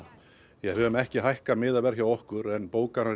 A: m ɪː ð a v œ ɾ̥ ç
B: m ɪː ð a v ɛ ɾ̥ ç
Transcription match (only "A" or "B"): B